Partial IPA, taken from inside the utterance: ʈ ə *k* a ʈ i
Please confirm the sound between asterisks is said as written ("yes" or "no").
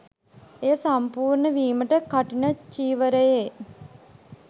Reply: yes